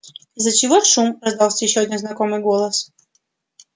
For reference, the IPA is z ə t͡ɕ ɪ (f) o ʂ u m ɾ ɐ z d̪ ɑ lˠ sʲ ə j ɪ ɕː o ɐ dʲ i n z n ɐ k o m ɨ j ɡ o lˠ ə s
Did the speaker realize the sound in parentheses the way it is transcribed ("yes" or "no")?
no